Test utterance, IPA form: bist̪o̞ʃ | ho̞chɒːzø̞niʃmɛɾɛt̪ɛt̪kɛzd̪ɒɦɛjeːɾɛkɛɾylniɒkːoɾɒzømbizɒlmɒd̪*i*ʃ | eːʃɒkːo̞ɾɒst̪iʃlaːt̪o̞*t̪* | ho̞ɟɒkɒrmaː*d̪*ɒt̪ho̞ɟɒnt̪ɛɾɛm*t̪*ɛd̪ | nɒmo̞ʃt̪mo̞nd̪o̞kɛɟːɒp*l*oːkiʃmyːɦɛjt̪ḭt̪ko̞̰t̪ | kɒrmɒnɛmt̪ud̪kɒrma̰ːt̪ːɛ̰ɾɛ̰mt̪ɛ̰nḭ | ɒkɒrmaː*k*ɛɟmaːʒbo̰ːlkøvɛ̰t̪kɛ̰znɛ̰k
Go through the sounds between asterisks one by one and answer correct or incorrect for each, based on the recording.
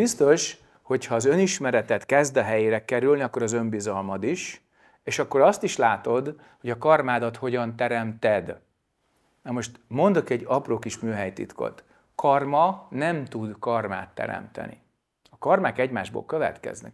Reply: correct, incorrect, correct, correct, incorrect, correct

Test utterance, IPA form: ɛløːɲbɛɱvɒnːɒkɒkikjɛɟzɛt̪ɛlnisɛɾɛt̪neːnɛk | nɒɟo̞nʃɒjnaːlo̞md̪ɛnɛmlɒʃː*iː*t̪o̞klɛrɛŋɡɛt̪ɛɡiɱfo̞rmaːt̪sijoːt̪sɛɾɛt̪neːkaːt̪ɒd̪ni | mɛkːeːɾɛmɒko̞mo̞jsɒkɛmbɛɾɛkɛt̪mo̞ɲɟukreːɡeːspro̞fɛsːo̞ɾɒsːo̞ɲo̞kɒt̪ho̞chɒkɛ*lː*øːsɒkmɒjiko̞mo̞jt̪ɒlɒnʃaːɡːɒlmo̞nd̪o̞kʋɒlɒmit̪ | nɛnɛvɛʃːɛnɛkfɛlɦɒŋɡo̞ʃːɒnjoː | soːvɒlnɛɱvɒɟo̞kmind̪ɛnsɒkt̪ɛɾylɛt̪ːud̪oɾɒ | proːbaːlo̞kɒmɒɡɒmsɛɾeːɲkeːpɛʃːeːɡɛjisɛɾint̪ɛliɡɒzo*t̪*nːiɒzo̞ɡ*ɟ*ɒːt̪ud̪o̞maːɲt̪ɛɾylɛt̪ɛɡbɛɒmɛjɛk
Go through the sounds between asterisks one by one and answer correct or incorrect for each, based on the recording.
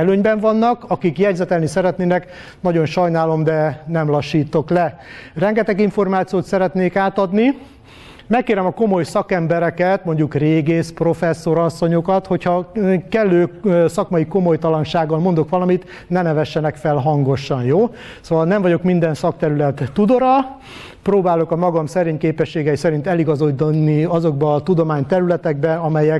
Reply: correct, correct, incorrect, incorrect

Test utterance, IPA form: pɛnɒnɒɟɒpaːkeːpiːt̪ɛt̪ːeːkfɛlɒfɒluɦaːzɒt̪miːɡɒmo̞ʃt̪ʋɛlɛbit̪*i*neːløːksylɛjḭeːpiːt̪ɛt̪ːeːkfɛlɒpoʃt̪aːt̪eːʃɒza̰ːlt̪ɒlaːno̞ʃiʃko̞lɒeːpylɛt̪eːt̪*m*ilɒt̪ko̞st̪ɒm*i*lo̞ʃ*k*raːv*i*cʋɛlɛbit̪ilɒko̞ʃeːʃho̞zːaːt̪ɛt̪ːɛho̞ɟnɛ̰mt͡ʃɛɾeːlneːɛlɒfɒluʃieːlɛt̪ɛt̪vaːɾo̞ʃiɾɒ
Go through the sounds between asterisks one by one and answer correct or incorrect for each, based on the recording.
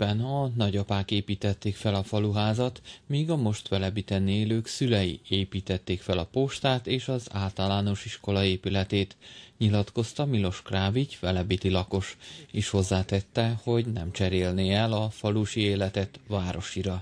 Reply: incorrect, incorrect, correct, correct, correct

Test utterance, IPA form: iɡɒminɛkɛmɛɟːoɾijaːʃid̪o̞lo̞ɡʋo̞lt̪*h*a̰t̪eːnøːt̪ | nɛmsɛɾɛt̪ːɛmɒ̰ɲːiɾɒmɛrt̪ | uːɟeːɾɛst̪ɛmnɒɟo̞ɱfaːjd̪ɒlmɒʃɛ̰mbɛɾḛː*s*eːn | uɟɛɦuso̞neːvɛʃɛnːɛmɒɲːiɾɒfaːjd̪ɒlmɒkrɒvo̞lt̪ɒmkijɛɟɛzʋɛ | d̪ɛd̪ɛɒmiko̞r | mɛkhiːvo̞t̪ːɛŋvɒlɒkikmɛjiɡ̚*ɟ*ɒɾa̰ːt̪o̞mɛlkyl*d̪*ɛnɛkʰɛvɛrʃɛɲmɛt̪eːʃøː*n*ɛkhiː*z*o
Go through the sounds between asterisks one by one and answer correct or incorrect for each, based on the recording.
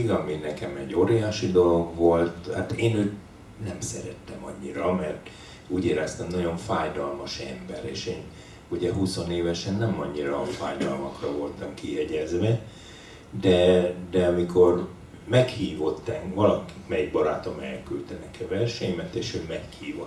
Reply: correct, incorrect, incorrect, incorrect, incorrect, incorrect

